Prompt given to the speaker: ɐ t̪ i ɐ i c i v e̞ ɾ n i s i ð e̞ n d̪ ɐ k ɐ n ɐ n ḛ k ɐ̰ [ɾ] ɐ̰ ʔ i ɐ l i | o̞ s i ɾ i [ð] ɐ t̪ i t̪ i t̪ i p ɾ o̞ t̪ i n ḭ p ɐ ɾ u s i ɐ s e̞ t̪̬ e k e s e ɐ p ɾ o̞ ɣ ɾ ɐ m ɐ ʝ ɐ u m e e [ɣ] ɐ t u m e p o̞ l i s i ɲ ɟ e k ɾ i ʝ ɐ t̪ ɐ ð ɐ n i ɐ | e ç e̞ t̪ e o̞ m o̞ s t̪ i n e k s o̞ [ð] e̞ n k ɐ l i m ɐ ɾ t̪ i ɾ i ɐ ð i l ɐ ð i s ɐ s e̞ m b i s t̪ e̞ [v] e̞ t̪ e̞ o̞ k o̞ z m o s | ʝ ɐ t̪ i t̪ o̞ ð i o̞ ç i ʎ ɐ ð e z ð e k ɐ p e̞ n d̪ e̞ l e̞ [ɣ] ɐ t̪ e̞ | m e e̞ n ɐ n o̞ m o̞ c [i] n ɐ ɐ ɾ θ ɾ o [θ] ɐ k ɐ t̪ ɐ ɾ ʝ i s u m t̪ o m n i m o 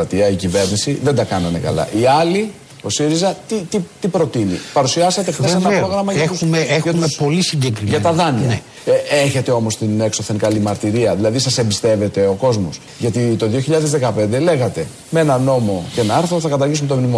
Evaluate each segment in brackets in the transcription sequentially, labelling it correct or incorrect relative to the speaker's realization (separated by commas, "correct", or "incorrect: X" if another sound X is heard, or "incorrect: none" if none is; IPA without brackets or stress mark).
incorrect: l, incorrect: z, incorrect: x, incorrect: θ, correct, correct, incorrect: e, correct